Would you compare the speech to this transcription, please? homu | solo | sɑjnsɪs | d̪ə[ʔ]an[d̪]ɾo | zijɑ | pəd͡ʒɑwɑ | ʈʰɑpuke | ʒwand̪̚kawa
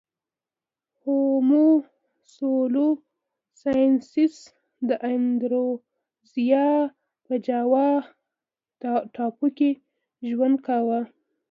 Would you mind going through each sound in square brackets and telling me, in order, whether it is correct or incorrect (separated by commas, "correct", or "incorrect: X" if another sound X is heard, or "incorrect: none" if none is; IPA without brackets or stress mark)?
correct, correct